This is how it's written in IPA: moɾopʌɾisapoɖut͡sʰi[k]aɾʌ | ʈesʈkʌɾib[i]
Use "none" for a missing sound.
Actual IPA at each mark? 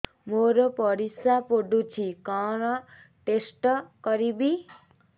k, i

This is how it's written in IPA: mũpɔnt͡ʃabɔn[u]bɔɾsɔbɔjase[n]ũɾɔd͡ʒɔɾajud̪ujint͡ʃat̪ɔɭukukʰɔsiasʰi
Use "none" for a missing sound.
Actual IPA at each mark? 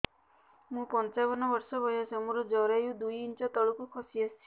ɔ, m

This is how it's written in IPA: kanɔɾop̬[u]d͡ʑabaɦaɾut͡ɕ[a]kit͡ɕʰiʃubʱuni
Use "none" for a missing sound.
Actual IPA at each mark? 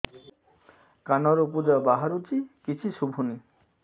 u, i

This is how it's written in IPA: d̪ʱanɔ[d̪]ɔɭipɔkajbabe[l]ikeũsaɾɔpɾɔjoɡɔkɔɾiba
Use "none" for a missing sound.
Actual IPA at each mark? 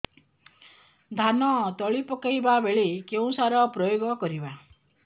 t̪, ɭ

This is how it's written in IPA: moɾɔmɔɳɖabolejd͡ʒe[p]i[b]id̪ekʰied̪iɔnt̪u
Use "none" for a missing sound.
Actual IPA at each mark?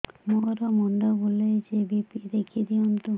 b, p

